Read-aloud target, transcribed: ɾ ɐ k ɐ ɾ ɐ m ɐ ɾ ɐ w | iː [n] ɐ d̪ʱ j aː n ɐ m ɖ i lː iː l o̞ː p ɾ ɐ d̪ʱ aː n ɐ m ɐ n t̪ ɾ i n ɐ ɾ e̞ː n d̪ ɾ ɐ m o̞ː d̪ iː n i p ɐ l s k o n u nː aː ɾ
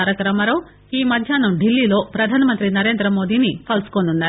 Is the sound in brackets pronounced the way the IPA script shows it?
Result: no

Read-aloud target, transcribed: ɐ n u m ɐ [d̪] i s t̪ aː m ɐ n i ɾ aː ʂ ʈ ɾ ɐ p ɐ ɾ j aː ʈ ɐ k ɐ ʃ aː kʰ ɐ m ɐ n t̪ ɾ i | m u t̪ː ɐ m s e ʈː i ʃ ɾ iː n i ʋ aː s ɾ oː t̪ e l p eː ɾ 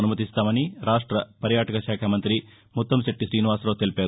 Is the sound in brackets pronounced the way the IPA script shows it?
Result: no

